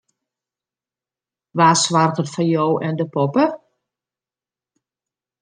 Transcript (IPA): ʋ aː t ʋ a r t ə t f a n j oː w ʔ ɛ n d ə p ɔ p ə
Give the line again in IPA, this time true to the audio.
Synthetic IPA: ʋ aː s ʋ a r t ə t f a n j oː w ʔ ɛ n d ə p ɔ p ə